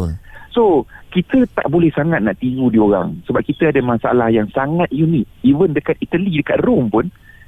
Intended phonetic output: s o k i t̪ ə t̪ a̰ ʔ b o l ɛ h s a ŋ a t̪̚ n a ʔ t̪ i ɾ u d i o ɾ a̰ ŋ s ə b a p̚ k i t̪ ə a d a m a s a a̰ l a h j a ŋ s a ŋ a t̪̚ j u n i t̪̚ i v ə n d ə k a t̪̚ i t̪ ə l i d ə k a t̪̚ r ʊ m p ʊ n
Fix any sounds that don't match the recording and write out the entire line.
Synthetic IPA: s o k i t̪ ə t̪ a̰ ʔ b o l ɛ h s a ŋ a t̪̚ n a ʔ t̪ i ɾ u d i o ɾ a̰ ŋ s ə b a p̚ k i t̪ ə a d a m a s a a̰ l a h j a ŋ s a ŋ a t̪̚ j u n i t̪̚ i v ə n d ə k a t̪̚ i t̪ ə l i d ə k a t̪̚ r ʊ m p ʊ n